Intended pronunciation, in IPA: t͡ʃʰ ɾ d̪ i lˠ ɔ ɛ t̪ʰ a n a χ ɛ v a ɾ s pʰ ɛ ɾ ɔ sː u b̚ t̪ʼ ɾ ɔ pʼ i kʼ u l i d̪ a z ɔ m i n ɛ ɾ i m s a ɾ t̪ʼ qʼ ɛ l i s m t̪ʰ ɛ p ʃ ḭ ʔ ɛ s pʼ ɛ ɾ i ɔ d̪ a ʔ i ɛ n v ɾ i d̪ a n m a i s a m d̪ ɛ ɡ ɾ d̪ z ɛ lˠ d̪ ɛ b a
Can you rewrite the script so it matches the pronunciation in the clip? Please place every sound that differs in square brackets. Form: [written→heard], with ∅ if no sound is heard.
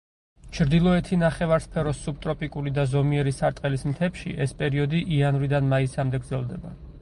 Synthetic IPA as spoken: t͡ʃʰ ɾ d̪ i lˠ ɔ ɛ t̪ʰ [a→i] n a χ ɛ v a ɾ s pʰ ɛ ɾ ɔ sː u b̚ t̪ʼ ɾ ɔ pʼ i kʼ u l i d̪ a z ɔ m i [n→∅] ɛ ɾ i [m→∅] s a ɾ t̪ʼ qʼ ɛ l i s m t̪ʰ ɛ p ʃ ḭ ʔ ɛ s pʼ ɛ ɾ i ɔ d̪ [a→i] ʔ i [ɛ→a] n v ɾ i d̪ a n m a i s a m d̪ ɛ ɡ ɾ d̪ z ɛ lˠ d̪ ɛ b a

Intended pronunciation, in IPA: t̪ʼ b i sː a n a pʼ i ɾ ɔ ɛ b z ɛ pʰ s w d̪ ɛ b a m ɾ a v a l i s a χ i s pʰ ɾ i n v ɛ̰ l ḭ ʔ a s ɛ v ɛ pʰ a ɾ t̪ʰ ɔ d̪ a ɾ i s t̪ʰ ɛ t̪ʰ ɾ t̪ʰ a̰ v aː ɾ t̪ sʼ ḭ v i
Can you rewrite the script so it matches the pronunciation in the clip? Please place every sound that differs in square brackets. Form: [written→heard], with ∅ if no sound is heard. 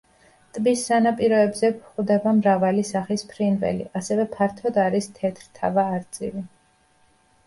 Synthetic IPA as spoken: t̪ʼ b i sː a n a pʼ i ɾ ɔ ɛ b z ɛ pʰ [s→χ] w d̪ ɛ b a m ɾ a v a l i s a χ i s pʰ ɾ i n v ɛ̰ l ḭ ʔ a s ɛ v ɛ pʰ a ɾ t̪ʰ ɔ d̪ a ɾ i s t̪ʰ ɛ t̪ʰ ɾ t̪ʰ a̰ v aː ɾ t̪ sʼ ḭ v i

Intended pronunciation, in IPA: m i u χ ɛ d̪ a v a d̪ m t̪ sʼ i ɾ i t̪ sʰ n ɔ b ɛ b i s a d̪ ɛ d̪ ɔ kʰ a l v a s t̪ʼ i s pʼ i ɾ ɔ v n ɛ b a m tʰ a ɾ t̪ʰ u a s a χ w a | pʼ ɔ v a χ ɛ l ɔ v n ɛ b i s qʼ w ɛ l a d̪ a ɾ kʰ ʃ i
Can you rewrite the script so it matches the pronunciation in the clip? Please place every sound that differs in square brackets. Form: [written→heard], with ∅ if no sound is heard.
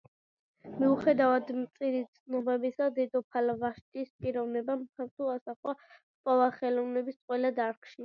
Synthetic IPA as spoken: m i u χ ɛ d̪ a v a d̪ m t̪ sʼ i ɾ i t̪ sʰ n ɔ b ɛ b i s a d̪ ɛ d̪ ɔ [kʰ→pʰ] a l v a [s→ʃ] t̪ʼ i s pʼ i ɾ ɔ v n ɛ b a m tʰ a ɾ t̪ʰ u a s a χ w a | pʼ ɔ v a χ ɛ l ɔ v n ɛ b i s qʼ w ɛ l a d̪ a ɾ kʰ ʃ i

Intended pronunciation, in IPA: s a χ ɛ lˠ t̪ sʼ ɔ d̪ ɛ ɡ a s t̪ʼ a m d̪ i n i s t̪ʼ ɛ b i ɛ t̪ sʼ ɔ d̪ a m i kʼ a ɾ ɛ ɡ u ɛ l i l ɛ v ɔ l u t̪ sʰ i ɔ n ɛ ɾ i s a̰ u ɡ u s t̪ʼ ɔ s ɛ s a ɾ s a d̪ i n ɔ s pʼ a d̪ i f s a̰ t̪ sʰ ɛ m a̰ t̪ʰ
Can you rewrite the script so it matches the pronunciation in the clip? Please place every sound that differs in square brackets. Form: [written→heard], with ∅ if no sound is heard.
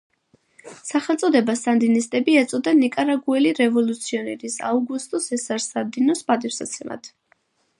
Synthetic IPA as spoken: s a χ ɛ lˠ t̪ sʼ ɔ d̪ ɛ [ɡ→b] a s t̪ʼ a [m→n] d̪ i n i s t̪ʼ ɛ b i ɛ t̪ sʼ ɔ d̪ a [m→n] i kʼ a ɾ [ɛ→a] ɡ u ɛ l i [l→ɾ] ɛ v ɔ l u t̪ sʰ i ɔ n ɛ ɾ i s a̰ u ɡ u s t̪ʼ ɔ s ɛ s a ɾ s a d̪ i n ɔ s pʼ a d̪ i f s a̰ t̪ sʰ ɛ m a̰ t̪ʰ

